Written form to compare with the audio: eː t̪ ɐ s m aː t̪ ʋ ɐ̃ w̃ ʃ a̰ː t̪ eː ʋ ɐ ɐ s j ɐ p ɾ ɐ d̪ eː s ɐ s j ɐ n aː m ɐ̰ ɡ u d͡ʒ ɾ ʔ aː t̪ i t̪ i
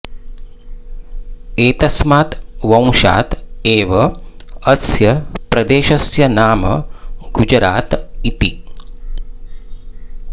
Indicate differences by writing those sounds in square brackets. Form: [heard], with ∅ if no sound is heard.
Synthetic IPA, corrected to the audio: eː t̪ ɐ s m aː t̪ ʋ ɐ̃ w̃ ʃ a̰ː t̪ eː ʋ ɐ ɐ s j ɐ p ɾ ɐ d̪ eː [ʃ] ɐ s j ɐ n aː m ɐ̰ ɡ u d͡ʒ ɾ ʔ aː t̪ i t̪ i